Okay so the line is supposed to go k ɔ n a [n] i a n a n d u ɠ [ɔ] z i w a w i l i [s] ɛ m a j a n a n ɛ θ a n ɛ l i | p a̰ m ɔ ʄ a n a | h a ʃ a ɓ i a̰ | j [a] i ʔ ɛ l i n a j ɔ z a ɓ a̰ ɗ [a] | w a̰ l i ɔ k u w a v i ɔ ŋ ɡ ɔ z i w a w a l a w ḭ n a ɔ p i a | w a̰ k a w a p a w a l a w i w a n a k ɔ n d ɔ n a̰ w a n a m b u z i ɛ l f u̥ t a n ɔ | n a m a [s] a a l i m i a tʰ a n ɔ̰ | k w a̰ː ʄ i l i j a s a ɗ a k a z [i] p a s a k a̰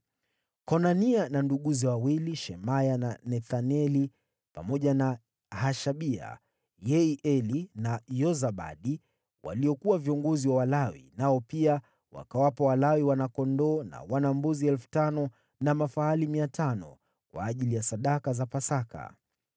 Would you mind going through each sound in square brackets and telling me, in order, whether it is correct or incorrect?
correct, incorrect, incorrect, incorrect, incorrect, incorrect, incorrect

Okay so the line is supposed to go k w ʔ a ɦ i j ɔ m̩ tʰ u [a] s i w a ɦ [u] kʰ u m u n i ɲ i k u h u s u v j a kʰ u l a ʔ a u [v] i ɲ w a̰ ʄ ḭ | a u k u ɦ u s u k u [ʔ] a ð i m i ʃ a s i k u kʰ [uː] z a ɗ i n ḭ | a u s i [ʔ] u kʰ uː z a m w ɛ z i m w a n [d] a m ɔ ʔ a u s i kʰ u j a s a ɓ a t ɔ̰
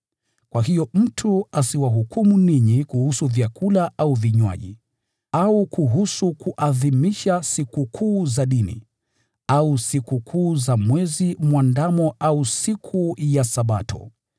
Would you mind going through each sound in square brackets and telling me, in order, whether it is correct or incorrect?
correct, correct, correct, correct, correct, incorrect, correct

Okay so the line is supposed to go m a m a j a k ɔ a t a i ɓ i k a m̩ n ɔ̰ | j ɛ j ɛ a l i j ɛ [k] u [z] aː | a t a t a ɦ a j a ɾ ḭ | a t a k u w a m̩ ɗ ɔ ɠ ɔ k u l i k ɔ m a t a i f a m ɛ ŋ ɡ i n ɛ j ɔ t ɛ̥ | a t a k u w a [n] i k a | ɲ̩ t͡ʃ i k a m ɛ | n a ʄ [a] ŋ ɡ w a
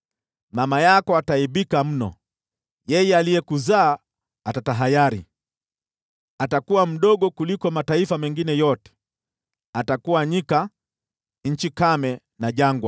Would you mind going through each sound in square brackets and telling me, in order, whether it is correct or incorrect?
correct, correct, incorrect, correct

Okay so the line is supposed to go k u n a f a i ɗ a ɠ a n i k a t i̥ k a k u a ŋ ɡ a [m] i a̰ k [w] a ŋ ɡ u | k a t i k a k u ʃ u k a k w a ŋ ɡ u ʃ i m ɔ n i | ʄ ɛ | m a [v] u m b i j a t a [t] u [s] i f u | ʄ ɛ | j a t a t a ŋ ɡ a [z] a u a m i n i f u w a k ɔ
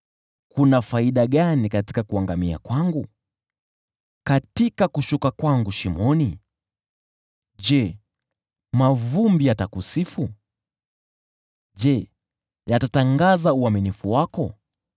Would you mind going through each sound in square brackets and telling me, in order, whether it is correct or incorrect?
correct, correct, correct, incorrect, correct, correct

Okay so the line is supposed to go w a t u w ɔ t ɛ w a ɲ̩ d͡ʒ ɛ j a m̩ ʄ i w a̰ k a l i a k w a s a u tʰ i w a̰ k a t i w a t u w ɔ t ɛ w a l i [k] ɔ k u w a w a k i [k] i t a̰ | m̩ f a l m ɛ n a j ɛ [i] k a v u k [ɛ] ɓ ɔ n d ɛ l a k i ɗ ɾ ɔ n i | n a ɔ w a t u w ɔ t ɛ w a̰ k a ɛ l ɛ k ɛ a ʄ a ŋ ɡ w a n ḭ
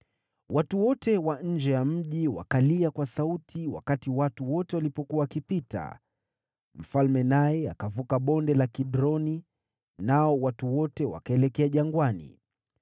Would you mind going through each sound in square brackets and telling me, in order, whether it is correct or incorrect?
incorrect, incorrect, incorrect, incorrect

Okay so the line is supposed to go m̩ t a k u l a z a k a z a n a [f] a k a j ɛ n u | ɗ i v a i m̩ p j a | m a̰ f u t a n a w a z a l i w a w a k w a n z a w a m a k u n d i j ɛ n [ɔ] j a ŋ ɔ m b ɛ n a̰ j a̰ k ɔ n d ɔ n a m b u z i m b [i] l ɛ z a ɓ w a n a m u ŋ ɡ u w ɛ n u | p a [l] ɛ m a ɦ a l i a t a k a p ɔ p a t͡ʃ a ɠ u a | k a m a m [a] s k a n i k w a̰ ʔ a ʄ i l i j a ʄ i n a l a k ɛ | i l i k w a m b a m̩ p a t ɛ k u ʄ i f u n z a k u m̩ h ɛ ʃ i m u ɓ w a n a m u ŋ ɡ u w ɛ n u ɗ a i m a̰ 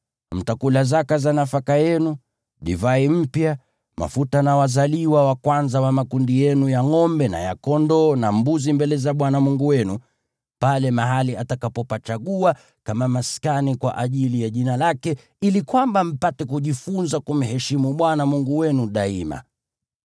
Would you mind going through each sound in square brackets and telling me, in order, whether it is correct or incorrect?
correct, incorrect, incorrect, correct, correct

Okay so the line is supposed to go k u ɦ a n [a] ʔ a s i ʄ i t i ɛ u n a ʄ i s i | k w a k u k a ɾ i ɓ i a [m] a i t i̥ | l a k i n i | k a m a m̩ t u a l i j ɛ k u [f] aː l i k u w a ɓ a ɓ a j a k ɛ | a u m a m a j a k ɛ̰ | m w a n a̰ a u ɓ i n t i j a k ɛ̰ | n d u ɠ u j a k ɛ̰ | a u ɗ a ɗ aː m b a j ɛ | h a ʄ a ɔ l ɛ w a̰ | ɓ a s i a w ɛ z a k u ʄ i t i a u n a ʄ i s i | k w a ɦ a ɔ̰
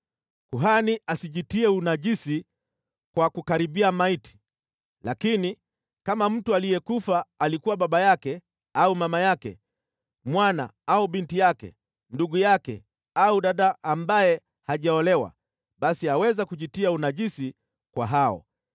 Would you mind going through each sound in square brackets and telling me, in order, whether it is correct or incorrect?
incorrect, correct, correct

